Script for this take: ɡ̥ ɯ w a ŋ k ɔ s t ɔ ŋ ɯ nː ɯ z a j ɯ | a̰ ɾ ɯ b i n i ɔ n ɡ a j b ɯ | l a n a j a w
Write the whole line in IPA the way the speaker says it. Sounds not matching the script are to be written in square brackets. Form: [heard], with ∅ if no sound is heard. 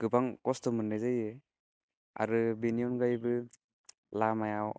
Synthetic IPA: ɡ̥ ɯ [b] a ŋ k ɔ s t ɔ [m] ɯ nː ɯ z a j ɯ | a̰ ɾ ɯ b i n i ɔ n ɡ a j b ɯ | l a [m] a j a w